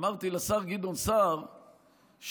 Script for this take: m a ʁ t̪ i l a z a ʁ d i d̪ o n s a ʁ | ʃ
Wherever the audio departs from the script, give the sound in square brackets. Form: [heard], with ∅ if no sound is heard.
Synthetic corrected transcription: m a ʁ t̪ i l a [s] a ʁ [ɡ] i d̪ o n s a ʁ | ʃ